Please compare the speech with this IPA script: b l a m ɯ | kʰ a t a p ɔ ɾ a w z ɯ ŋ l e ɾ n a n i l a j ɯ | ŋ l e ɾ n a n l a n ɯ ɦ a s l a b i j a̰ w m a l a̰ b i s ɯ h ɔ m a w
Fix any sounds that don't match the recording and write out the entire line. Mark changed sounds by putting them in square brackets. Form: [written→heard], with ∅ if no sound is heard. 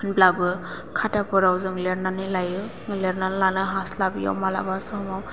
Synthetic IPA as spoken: b l a [m→b] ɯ | kʰ a t a p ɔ ɾ a w z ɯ ŋ l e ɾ n a n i l a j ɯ | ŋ l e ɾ n a n l a n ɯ ɦ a s l a b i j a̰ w m a l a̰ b [i→a] s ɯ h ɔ m a w